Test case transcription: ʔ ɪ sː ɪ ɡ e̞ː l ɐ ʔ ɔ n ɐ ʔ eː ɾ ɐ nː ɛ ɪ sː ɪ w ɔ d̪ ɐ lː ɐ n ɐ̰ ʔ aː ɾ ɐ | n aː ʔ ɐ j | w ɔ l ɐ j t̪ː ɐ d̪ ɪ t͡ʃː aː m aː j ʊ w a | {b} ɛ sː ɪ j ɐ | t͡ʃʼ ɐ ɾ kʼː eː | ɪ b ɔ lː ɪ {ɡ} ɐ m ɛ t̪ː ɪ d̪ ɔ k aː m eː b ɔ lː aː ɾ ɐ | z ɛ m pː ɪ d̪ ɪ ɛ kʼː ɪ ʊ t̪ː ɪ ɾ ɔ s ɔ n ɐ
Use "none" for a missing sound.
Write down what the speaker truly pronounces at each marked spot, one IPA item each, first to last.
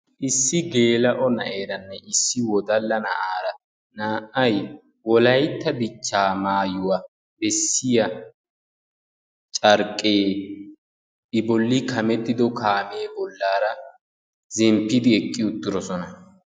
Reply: b, k

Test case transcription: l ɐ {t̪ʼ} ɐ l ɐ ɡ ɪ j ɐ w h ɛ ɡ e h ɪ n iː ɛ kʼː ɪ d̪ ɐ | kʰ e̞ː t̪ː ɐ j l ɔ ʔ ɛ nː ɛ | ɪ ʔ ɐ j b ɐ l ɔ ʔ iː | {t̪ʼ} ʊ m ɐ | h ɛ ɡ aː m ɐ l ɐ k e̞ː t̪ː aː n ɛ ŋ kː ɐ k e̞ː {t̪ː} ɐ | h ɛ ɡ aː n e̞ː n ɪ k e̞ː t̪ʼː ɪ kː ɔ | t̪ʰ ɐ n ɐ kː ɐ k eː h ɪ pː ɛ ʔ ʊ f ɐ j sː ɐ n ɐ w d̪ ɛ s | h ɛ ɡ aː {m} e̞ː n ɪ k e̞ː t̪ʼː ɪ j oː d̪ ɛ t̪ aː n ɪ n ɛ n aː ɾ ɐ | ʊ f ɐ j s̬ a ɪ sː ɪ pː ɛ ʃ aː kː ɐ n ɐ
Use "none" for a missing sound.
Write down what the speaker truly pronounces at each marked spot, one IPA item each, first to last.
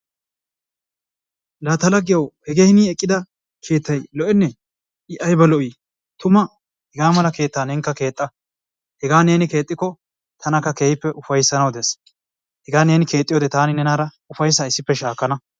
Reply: t̪, t̪, t̪ʼː, n

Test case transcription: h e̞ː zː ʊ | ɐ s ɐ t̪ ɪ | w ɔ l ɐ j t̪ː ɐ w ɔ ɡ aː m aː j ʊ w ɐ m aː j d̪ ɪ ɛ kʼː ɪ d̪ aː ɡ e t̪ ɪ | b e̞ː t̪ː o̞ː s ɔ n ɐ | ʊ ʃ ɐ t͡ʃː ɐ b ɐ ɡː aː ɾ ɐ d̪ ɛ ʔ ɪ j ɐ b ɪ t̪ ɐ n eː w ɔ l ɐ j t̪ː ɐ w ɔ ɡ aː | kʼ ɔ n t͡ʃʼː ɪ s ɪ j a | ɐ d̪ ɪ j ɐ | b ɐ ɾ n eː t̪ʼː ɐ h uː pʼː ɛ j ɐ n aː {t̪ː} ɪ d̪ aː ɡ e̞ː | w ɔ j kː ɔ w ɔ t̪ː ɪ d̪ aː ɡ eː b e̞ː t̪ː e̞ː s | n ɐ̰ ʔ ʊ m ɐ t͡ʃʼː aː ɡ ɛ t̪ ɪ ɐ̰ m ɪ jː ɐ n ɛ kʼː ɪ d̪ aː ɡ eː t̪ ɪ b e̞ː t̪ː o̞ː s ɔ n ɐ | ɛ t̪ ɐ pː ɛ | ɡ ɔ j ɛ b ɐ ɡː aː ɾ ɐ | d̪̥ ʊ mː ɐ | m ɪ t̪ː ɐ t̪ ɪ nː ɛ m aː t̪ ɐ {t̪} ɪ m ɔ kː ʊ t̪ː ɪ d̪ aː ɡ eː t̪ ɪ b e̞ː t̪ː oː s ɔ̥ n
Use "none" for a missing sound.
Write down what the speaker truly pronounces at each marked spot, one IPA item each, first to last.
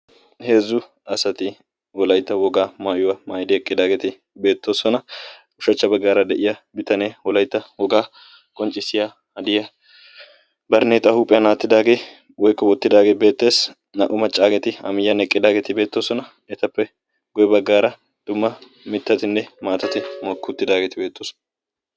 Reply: t̪ː, t̪

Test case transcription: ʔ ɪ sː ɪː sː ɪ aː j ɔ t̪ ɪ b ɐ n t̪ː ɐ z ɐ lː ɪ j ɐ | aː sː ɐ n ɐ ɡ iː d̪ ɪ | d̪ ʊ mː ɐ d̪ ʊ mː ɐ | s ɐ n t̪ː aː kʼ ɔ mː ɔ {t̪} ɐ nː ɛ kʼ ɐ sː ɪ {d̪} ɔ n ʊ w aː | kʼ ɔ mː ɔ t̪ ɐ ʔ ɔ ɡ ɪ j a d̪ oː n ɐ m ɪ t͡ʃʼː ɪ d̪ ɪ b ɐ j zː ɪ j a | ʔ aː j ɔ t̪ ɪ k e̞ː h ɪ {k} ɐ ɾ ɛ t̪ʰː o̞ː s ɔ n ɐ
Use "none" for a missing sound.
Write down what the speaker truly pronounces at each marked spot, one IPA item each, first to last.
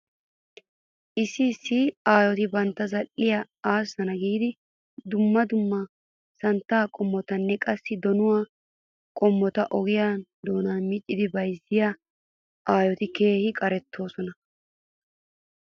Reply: t̪, d̪, kʼ

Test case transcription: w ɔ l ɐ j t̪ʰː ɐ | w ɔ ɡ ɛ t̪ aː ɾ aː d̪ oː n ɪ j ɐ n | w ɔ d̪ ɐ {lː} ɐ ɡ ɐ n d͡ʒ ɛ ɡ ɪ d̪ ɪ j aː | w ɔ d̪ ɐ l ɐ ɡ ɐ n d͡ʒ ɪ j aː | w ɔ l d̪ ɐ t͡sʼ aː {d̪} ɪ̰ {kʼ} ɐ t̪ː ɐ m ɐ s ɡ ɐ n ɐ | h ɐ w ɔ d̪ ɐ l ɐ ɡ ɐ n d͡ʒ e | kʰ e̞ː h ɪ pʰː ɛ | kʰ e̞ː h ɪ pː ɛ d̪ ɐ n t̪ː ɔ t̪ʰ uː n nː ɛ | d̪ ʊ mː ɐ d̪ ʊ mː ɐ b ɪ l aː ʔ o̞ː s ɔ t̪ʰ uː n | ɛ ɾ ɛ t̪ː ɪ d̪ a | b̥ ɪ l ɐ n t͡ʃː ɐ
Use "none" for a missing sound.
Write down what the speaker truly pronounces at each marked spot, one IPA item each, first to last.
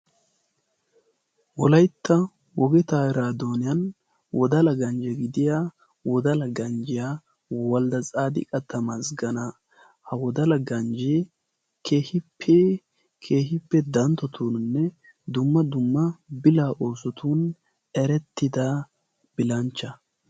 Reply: l, d̪, kʼ

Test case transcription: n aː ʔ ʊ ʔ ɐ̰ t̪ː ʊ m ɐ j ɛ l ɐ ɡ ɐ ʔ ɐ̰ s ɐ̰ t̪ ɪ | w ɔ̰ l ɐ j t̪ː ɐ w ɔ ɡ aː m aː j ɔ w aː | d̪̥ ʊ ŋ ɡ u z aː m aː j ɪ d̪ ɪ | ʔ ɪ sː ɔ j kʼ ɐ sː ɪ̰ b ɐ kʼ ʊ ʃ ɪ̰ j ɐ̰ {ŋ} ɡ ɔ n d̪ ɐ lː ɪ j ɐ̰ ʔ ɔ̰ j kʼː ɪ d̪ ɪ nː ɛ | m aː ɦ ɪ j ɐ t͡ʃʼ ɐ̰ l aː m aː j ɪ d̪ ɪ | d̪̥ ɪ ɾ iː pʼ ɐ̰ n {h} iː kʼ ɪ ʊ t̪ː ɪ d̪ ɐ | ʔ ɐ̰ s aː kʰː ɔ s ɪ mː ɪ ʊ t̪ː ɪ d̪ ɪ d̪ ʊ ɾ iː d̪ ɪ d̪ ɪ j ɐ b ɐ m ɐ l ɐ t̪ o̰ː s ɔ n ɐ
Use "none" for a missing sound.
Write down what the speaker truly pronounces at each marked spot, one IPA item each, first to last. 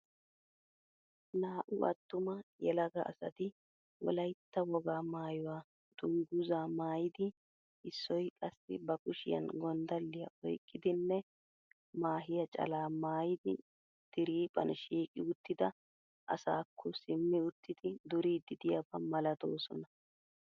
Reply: n, ʃ

